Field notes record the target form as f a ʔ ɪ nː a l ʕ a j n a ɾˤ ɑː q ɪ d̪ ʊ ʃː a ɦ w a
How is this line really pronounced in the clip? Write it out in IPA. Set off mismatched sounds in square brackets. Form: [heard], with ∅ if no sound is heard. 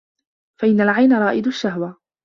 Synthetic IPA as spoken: f a ʔ ɪ nː a l ʕ a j n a ɾˤ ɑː [ʔ] ɪ d̪ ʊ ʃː a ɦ w a